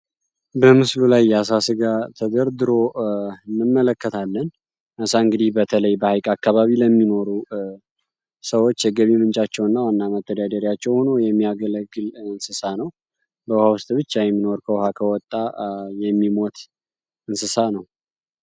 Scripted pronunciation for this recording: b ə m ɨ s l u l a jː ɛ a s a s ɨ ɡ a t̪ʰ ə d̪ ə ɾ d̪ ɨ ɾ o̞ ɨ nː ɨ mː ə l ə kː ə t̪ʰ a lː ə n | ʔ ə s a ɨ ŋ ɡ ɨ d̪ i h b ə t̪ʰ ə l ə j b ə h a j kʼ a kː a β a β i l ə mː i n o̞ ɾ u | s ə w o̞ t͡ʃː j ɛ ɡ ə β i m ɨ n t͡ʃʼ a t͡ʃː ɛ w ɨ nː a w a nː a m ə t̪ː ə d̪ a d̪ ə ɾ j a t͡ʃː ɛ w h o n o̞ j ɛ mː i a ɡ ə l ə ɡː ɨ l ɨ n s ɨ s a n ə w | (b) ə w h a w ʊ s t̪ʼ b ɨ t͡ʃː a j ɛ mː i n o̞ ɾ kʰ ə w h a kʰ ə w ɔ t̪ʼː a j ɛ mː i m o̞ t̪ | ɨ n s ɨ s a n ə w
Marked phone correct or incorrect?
correct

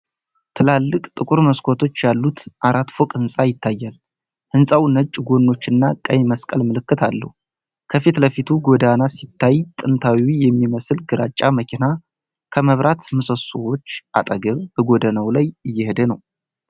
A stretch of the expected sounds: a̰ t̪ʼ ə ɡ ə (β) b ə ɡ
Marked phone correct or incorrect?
correct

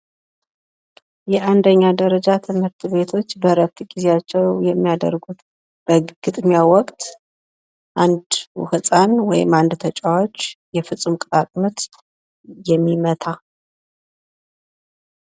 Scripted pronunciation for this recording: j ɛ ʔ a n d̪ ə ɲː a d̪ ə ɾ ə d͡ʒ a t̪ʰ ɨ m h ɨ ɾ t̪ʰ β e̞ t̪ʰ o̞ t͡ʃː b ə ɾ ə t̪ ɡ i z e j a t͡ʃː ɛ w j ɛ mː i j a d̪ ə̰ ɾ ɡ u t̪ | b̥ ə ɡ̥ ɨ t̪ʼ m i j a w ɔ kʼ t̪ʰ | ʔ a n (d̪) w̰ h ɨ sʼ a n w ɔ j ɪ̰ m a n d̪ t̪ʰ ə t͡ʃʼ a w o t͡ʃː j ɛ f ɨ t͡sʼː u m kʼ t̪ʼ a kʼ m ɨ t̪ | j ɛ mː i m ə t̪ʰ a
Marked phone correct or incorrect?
correct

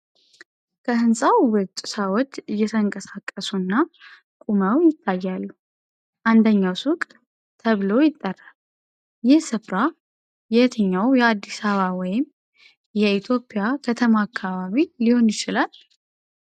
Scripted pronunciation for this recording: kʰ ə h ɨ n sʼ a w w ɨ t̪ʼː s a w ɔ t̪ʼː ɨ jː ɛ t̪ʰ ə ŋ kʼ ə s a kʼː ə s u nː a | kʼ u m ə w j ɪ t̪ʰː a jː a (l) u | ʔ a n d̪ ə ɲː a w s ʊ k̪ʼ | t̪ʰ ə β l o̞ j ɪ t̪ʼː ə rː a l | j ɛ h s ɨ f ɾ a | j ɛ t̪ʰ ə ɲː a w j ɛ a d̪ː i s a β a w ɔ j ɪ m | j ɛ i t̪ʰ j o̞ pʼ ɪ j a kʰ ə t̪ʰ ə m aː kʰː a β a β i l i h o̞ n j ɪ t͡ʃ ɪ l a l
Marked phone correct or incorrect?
incorrect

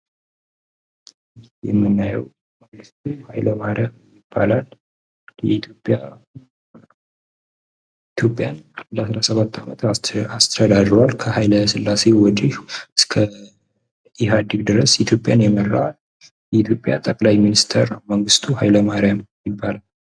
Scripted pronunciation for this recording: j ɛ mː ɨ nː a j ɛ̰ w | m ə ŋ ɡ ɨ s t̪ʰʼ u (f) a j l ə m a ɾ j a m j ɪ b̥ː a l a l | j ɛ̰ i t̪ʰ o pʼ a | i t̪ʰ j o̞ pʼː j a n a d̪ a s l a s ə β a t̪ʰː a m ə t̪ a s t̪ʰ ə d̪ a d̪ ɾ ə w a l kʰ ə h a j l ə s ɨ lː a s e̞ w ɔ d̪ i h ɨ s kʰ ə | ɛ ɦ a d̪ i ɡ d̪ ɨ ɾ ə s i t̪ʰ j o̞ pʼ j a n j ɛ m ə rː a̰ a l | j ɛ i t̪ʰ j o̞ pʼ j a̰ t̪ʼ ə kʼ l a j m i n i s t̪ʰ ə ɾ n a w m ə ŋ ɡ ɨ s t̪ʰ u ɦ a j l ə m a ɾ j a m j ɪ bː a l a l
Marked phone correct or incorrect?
incorrect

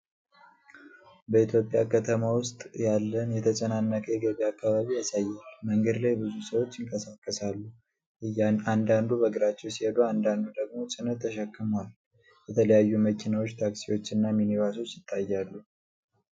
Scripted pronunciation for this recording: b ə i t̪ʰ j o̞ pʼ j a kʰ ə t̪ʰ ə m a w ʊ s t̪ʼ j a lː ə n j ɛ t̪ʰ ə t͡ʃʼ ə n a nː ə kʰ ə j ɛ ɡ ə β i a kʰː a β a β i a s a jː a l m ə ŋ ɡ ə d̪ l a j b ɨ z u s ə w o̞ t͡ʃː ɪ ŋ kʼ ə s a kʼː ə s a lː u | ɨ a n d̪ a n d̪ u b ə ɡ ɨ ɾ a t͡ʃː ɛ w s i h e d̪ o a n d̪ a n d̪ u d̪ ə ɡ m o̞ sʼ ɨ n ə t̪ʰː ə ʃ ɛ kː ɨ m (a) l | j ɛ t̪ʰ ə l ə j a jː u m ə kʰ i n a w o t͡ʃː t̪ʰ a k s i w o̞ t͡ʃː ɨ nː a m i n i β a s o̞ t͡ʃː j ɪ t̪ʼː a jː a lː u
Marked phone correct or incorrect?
correct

